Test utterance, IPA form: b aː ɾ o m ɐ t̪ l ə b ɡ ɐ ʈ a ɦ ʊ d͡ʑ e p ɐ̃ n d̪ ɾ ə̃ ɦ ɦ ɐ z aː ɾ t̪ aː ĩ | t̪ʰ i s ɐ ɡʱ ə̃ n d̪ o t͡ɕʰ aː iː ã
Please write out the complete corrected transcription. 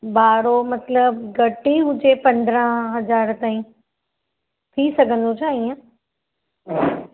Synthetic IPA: b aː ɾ o m ɐ t̪ l ə b ɡ ɐ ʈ i ɦ ʊ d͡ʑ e p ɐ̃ n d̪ ɾ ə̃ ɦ ɦ ɐ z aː ɾ t̪ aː ĩ | t̪ʰ i s ɐ ɡʱ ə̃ n d̪ o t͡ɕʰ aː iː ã